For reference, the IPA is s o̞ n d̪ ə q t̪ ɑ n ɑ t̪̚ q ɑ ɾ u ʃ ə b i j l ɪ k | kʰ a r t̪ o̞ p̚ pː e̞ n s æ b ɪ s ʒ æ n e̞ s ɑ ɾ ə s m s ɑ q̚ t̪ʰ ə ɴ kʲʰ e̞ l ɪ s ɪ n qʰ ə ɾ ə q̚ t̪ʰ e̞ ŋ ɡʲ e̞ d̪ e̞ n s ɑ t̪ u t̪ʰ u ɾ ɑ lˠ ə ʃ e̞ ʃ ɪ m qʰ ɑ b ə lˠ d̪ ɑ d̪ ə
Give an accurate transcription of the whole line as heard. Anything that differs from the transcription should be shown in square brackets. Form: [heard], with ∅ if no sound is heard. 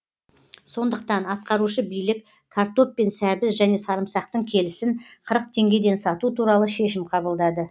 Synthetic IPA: s o̞ n d̪ ə q t̪ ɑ n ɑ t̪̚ q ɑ ɾ u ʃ ə b i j l ɪ k | kʰ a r t̪ o̞ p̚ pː e̞ n s æ b ɪ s ʒ æ n e̞ s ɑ ɾ ə [∅] m s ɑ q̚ [t̪] ə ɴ kʲʰ e̞ l ɪ s ɪ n qʰ ə ɾ ə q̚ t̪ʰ e̞ ŋ ɡʲ e̞ d̪ e̞ n s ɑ t̪ u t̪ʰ u ɾ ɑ lˠ ə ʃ e̞ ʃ ɪ m qʰ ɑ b ə lˠ d̪ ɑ d̪ ə

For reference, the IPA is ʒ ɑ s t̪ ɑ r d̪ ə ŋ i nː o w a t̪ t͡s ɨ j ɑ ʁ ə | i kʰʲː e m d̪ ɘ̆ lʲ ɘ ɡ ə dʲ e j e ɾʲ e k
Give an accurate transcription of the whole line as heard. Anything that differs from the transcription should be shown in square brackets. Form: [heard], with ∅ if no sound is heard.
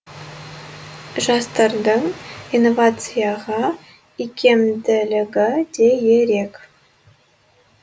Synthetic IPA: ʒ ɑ s t̪ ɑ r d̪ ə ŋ i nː o [v] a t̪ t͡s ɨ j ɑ ʁ [ɑ] | i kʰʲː e m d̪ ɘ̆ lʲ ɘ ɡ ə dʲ e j e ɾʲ e k

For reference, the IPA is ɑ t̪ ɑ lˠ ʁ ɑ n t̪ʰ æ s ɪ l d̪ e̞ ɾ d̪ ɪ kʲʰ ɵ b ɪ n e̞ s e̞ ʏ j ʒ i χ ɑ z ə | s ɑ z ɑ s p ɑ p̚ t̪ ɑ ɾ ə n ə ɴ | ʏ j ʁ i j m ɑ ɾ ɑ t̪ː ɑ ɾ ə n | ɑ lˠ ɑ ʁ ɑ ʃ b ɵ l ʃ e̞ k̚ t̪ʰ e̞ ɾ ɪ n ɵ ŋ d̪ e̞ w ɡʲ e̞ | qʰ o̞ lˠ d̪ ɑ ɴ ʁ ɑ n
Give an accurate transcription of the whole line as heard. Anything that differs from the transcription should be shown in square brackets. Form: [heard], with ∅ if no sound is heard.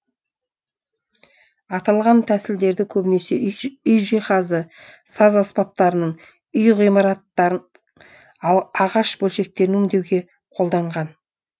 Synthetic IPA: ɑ t̪ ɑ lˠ ʁ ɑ n t̪ʰ æ s ɪ l d̪ e̞ ɾ d̪ ɪ kʲʰ ɵ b ɪ n e̞ s e̞ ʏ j ʒ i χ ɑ z ə | s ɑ z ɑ s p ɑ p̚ t̪ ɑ ɾ ə n ə ɴ | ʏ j ʁ i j m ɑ ɾ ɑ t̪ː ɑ ɾ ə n | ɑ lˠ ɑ ʁ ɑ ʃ b ɵ l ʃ e̞ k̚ [t̪] e̞ ɾ ɪ n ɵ ŋ d̪ e̞ w ɡʲ e̞ | qʰ o̞ lˠ d̪ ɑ ɴ ʁ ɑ n

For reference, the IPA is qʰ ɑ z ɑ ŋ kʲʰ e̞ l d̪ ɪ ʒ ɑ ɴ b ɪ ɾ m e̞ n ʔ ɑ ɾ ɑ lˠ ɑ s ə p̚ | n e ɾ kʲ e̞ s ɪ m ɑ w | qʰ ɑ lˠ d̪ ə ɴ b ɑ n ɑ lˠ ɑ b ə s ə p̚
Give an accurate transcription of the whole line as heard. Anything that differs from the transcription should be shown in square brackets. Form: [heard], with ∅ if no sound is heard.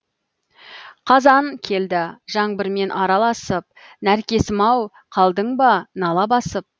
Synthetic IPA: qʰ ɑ z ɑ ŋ kʲʰ e̞ l d̪ ɪ ʒ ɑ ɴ b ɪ ɾ m e̞ n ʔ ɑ ɾ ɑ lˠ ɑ s ə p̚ | n [æ] ɾ kʲ e̞ s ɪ m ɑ w | qʰ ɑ lˠ d̪ ə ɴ b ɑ n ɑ lˠ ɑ b [ɑ] s ə p̚

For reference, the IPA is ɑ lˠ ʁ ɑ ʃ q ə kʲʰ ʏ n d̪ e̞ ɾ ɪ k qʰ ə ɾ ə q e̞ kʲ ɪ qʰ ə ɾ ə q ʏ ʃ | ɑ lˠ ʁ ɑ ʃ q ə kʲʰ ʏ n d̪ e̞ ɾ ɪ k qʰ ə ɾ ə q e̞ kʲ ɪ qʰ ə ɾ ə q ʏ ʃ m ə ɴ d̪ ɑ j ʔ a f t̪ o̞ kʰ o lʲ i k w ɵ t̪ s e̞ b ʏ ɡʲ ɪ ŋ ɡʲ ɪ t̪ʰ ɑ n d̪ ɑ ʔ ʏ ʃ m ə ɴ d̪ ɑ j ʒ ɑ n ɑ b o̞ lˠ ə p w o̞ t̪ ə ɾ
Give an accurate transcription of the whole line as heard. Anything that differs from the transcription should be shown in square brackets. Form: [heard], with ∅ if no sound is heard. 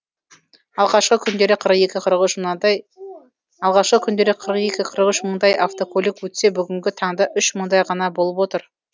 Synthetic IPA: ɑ lˠ ʁ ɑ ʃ q ə kʲʰ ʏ n d̪ e̞ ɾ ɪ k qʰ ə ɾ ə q e̞ kʲ ɪ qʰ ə ɾ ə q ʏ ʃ | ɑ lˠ ʁ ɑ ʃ q ə kʲʰ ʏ n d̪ e̞ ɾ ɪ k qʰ ə ɾ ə q e̞ kʲ ɪ qʰ ə ɾ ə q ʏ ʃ m ə ɴ d̪ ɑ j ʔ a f t̪ o̞ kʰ o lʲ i k w ɵ t̪ s e̞ b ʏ ɡʲ ɪ ŋ ɡʲ ɪ t̪ʰ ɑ [ɴ] d̪ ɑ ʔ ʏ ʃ m ə ɴ d̪ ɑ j [ʁ] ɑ n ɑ b o̞ lˠ ə p w o̞ t̪ ə ɾ

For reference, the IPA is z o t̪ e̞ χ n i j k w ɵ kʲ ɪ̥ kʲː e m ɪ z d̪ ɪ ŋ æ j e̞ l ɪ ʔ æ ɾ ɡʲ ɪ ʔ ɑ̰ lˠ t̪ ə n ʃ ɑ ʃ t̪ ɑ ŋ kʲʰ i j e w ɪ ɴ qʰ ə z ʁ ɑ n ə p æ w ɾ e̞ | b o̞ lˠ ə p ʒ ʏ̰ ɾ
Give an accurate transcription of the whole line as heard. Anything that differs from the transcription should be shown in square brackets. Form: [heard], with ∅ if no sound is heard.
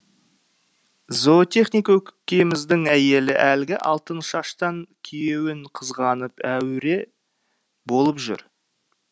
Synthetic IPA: z o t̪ e̞ χ n i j k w ɵ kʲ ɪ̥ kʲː e m ɪ z d̪ ɪ ŋ æ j e̞ l ɪ ʔ æ [l] ɡʲ ɪ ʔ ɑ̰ lˠ t̪ ə n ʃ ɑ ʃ t̪ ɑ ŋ kʲʰ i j e w ɪ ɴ qʰ ə z ʁ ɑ n ə p æ w ɾ e̞ | b o̞ lˠ ə p ʒ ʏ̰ ɾ

